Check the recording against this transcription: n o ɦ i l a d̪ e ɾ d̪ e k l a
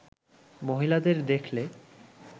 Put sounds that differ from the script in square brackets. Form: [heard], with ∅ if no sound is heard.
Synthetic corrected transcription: [m] o ɦ i l a d̪ e ɾ d̪ e [kʰ] l [e]